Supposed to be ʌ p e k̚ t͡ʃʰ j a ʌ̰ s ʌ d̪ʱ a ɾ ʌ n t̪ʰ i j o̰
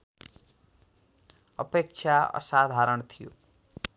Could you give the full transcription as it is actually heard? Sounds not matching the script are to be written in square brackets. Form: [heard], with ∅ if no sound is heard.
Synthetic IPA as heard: ʌ p e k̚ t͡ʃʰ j a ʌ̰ s [a] d̪ʱ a ɾ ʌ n t̪ʰ i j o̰

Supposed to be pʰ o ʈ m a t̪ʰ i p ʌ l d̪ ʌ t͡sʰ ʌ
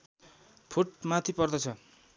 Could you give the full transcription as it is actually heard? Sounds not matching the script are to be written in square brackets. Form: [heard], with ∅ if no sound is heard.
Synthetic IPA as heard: pʰ [u] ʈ m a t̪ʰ i p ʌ [r] d̪ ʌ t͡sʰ ʌ

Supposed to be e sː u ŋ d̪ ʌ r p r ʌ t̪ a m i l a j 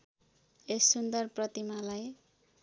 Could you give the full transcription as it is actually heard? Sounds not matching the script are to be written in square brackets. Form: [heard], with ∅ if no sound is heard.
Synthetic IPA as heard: e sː u [n] d̪ ʌ r p r ʌ t̪ [i] m [a] l a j

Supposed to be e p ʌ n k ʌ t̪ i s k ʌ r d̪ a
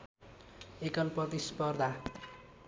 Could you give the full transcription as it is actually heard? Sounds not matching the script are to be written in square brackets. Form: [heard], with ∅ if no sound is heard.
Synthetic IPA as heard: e [k] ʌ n [p] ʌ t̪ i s [p] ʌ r d̪ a

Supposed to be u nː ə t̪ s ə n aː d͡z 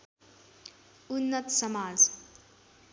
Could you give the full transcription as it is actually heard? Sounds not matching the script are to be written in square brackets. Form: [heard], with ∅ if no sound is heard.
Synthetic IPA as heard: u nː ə t̪ s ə [m] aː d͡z

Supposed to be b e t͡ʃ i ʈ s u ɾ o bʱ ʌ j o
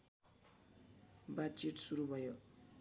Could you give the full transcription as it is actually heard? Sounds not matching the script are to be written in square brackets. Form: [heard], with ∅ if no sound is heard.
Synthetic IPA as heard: b [a] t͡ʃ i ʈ s u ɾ [u] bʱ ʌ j o

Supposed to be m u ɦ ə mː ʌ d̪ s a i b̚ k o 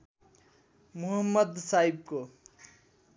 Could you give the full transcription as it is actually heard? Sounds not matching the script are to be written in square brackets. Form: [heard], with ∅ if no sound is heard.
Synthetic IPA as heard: m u ɦ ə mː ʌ d̪ s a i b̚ k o

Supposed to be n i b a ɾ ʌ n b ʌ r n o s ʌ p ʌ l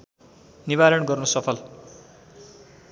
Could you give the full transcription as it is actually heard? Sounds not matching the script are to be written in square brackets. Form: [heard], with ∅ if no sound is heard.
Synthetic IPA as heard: n i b a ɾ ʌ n [ɡ] ʌ r n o s ʌ [pʰ] ʌ l

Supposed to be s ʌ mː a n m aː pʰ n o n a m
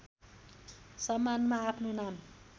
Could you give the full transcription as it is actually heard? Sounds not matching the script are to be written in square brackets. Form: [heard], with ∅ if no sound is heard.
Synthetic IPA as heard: s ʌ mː a n m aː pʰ n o n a m

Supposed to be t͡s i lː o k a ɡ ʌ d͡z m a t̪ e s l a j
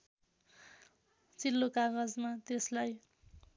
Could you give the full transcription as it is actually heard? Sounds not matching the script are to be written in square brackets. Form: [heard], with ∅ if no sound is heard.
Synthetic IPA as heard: t͡s i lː o k a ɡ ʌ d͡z m a t̪ e s l a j

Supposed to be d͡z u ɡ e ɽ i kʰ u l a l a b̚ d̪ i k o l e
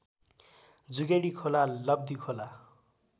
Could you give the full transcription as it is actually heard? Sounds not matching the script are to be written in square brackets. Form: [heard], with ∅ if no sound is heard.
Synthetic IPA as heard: d͡z u ɡ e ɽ i kʰ [o] l a l [ʌ] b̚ d̪ i [kʰ] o l [a]

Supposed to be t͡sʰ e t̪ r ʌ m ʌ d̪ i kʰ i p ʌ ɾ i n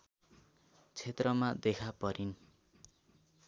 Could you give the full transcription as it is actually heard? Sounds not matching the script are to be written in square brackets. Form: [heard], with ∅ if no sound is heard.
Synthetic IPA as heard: t͡sʰ e t̪ r ʌ m [a] d̪ [e] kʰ [a] p ʌ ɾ i n

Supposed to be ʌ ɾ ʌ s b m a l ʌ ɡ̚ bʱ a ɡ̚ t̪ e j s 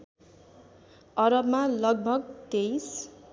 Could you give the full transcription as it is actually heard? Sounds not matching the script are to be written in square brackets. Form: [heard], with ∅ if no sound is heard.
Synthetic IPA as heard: ʌ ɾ ʌ [∅] b m a l ʌ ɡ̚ bʱ [ʌ] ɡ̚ t̪ e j s

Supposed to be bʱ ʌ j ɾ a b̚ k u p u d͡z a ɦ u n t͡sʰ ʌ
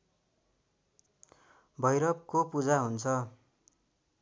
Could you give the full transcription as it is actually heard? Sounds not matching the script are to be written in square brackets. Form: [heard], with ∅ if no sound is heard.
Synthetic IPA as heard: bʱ ʌ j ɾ [ʌ] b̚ k [o] p u d͡z a ɦ u n t͡sʰ ʌ

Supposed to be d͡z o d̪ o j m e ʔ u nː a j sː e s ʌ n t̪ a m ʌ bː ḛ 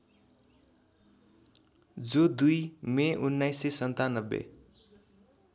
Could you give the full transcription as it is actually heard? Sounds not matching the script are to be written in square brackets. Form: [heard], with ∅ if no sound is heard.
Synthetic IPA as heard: d͡z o d̪ [u] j m e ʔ u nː a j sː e s ʌ n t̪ a [n] ʌ bː ḛ

